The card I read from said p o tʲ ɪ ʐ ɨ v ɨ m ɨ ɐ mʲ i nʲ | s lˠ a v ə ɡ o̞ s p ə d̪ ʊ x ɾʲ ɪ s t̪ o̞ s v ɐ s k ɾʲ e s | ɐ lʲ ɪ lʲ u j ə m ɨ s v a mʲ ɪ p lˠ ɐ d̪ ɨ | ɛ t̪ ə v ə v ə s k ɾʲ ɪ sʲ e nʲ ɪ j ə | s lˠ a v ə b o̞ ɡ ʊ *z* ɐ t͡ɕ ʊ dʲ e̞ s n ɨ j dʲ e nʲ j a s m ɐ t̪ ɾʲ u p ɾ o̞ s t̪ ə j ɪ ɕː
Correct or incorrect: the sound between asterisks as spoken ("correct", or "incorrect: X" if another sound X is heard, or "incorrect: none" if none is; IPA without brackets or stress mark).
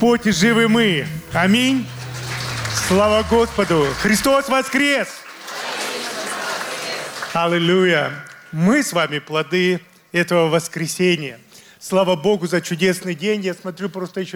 correct